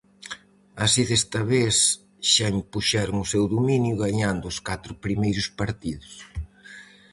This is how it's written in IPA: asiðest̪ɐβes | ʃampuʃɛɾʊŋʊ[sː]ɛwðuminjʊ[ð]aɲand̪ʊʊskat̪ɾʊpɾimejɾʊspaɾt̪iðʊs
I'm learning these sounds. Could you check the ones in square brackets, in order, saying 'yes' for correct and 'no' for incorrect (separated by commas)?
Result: no, no